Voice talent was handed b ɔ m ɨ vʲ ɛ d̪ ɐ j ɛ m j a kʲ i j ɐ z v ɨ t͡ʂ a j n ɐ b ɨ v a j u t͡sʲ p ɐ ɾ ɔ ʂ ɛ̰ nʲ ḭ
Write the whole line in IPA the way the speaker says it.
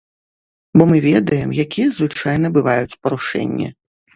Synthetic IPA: b ɔ m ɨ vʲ ɛ d̪ ɐ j ɛ m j a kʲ i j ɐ z v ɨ t͡ʂ a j n ɐ b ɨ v a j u t͡sʲ p ɐ ɾ u ʂ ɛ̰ nʲː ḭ